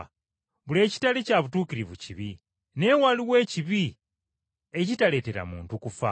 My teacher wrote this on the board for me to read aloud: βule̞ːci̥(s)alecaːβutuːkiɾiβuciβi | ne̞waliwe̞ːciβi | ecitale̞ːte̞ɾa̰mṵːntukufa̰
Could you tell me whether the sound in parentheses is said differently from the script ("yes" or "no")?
yes